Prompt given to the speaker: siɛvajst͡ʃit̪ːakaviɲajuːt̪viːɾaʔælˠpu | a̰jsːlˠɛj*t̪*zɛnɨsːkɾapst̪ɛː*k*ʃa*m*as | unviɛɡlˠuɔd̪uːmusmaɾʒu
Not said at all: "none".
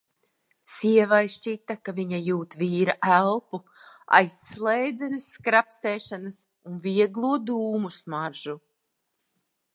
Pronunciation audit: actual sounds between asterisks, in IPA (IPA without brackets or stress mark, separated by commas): d̪, none, n